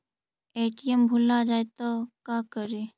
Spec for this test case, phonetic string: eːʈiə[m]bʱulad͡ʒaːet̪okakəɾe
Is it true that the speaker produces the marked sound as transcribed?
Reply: yes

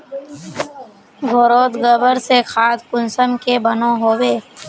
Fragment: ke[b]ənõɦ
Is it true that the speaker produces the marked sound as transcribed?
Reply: yes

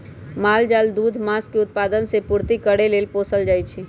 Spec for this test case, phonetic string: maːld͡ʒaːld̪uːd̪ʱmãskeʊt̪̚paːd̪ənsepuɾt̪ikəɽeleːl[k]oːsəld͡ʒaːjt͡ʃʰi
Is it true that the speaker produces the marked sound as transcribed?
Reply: no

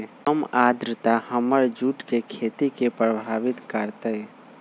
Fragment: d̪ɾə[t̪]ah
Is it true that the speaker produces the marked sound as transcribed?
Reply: yes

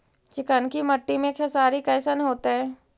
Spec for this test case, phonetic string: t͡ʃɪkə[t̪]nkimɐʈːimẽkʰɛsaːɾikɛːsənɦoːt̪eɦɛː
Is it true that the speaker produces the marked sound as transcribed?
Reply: no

